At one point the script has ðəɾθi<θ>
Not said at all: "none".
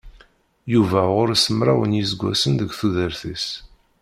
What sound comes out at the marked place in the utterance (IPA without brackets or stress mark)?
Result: s